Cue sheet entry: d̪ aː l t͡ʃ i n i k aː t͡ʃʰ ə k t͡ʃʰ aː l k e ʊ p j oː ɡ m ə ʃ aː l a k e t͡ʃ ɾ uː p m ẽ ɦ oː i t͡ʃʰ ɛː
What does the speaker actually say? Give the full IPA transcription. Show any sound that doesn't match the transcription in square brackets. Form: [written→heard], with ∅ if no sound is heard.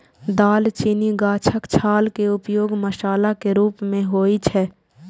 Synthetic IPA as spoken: d̪ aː l t͡ʃ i n i [k→ɡ] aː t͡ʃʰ ə k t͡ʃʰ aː l k e ʊ p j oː ɡ m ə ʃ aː l a k e [t͡ʃ→∅] ɾ uː p m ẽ ɦ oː i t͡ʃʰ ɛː